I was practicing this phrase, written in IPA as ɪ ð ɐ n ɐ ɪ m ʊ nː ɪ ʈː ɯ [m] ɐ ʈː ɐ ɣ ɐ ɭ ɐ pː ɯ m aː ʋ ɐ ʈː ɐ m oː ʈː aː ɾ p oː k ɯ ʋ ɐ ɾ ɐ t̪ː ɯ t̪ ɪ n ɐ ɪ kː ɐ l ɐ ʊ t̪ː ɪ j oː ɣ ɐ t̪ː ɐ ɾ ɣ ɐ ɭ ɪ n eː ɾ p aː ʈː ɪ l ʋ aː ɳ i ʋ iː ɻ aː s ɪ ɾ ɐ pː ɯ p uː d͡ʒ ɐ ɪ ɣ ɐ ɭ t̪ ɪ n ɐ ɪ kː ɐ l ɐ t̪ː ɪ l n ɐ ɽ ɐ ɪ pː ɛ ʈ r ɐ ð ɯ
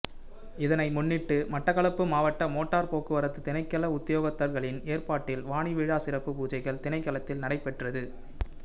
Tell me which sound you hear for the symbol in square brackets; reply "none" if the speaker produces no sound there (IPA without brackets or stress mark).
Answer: m